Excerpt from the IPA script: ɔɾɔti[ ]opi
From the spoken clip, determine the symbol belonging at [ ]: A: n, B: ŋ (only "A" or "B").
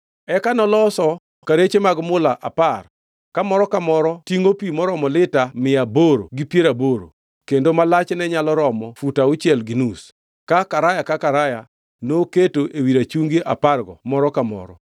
B